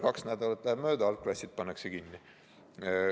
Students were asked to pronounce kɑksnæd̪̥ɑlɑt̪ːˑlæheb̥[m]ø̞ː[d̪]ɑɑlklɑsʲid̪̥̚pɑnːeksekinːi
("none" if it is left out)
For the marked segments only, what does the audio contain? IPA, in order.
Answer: m, d̪

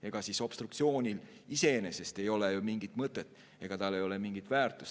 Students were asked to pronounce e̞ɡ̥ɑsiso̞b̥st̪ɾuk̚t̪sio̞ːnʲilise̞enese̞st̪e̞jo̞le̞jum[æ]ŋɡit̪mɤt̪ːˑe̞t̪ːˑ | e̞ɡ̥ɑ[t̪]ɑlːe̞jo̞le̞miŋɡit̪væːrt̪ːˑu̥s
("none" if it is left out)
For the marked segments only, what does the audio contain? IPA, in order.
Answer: i, t̪

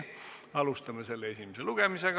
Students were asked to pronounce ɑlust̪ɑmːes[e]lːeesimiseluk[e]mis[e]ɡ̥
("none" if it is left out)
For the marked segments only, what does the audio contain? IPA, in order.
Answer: e, e, e

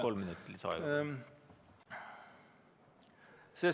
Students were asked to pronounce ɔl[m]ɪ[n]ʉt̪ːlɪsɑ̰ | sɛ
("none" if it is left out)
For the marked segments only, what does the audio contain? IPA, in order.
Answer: m, n

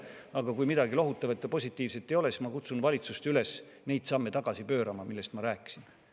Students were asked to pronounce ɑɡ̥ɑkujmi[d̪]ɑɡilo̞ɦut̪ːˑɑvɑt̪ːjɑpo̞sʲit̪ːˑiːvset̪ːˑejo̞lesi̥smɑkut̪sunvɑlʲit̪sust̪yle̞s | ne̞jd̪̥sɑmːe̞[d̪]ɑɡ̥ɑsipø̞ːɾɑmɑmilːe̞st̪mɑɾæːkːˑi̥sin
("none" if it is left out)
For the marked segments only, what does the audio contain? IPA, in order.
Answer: d̪, t̪

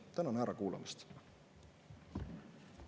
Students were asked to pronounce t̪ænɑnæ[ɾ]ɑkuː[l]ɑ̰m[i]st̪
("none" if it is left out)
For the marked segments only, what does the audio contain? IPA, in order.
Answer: ɾ, l, i

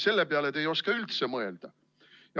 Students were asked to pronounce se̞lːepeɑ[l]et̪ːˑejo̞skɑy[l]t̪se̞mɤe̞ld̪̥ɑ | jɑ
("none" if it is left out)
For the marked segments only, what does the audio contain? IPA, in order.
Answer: l, l

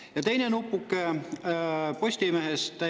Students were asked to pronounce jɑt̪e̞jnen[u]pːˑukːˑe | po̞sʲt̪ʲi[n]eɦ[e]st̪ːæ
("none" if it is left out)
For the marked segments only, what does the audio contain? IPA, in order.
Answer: u, m, e

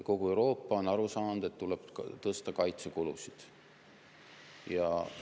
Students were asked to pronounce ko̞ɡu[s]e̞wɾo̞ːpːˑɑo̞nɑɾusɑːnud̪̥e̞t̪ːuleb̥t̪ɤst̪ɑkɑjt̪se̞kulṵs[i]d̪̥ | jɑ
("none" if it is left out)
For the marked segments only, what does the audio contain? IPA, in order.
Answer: none, i

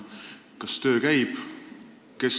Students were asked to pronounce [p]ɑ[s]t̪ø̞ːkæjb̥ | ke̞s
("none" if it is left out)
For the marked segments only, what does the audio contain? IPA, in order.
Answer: k, s

